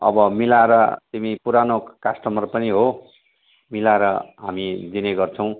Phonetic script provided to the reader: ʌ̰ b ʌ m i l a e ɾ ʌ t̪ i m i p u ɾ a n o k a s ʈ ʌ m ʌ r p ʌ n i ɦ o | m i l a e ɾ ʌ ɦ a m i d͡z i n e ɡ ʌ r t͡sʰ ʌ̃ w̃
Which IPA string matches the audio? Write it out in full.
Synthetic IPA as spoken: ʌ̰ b ʌ m i l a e ɾ ʌ t̪ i m i p u ɾ a n o k a s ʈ ʌ m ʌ r p ʌ n i ɦ o | m i l a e ɾ ʌ ɦ a m i d͡z i n e ɡ ʌ r t͡sʰ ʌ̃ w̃